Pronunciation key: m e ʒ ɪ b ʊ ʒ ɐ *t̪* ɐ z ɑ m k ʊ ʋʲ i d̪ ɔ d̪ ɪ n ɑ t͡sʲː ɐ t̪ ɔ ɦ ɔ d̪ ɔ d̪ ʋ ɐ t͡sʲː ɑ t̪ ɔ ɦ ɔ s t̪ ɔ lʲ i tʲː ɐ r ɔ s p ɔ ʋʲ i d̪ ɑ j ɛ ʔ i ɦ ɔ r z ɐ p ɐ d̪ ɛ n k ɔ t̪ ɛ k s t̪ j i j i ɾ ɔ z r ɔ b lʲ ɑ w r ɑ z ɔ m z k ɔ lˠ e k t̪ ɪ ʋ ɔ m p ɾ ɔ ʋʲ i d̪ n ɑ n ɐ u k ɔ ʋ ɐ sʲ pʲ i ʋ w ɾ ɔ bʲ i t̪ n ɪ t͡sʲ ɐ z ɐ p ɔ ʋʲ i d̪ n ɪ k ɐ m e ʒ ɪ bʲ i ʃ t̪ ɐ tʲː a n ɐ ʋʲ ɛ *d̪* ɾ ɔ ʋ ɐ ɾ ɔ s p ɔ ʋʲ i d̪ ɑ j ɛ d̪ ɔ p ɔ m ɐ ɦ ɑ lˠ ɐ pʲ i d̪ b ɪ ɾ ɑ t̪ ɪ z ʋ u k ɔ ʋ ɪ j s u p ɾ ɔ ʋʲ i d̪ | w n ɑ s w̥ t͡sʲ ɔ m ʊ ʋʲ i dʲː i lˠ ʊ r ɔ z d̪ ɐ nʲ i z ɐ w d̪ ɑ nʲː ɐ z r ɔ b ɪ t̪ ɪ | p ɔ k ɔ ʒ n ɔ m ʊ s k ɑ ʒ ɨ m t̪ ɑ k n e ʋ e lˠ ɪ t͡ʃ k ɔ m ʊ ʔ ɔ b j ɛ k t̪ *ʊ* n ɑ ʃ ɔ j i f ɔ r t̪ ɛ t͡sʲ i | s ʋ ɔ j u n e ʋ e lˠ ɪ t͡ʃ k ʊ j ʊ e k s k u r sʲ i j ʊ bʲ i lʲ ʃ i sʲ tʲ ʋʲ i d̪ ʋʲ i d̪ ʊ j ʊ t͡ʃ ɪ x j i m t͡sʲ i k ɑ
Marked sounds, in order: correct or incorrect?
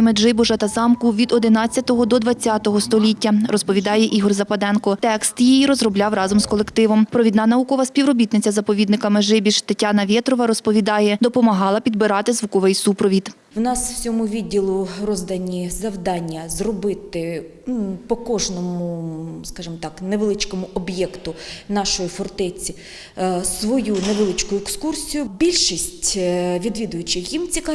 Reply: correct, incorrect: t̪, correct

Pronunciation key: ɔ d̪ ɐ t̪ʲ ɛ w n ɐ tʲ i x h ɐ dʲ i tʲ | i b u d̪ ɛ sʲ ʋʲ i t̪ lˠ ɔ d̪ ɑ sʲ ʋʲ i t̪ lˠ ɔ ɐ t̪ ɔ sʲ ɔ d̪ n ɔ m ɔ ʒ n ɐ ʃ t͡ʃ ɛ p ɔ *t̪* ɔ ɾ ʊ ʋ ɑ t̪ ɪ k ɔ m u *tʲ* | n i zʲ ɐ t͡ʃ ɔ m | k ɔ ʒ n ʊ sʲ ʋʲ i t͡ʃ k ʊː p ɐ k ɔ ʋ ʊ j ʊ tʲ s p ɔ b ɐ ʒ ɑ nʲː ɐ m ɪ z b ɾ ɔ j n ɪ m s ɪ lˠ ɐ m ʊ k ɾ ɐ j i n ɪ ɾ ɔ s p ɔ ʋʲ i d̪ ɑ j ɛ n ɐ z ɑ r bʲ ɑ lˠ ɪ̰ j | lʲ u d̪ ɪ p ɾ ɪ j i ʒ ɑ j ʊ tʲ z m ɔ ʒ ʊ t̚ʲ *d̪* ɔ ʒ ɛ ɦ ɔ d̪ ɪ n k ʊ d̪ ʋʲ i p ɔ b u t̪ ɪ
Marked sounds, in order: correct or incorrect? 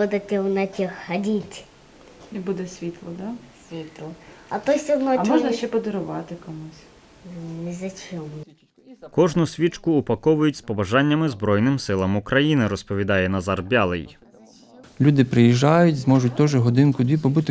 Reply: incorrect: d̪, incorrect: sʲ, incorrect: t̪

